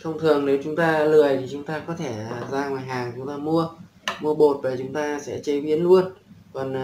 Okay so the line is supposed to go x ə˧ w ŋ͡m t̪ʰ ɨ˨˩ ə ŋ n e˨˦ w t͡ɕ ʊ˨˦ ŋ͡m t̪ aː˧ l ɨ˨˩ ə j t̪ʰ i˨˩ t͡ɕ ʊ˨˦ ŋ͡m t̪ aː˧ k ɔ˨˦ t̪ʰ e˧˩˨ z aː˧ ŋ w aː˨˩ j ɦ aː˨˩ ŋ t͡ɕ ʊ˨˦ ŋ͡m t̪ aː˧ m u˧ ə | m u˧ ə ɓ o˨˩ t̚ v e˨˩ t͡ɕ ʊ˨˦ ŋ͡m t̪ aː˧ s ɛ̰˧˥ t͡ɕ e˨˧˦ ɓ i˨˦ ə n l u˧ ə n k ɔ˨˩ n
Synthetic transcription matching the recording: x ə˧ w ŋ͡m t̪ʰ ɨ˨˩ ə ŋ n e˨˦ w t͡ɕ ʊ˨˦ ŋ͡m t̪ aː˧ l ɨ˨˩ ə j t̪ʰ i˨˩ t͡ɕ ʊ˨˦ ŋ͡m t̪ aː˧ k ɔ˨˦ t̪ʰ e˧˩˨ z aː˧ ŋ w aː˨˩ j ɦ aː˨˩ ŋ t͡ɕ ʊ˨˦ ŋ͡m t̪ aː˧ m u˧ ə | m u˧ ə ɓ o˨˩ t̚ v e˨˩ t͡ɕ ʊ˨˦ ŋ͡m t̪ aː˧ s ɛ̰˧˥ t͡ɕ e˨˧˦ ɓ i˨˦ ə n l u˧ ə n k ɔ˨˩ n